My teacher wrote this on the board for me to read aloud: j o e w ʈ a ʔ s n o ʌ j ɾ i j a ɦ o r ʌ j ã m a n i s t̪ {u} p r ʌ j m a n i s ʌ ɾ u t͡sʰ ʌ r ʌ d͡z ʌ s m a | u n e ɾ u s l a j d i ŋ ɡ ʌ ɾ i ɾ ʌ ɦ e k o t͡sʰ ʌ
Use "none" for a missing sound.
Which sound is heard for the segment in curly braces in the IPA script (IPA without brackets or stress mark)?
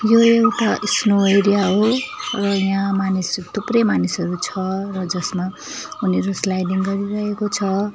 u